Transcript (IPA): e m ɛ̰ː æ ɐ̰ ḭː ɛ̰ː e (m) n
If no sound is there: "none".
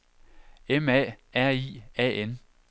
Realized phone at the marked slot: none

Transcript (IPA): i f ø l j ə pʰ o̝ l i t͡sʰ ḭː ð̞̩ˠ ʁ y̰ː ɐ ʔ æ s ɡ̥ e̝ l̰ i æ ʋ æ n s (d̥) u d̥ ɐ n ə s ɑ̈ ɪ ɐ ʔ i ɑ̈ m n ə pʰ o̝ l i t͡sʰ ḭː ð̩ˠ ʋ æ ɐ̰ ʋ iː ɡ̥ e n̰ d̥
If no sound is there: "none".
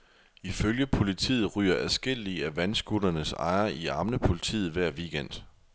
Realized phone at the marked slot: ɡ̥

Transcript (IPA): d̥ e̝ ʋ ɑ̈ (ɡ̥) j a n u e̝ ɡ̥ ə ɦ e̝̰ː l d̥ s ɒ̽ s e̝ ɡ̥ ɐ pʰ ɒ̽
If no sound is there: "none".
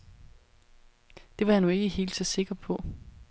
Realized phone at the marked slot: none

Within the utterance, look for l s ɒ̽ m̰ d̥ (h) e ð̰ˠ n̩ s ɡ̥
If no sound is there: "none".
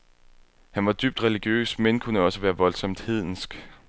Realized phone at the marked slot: h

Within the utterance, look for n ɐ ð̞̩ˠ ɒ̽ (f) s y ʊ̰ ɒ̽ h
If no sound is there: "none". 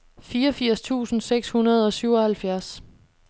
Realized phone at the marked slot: none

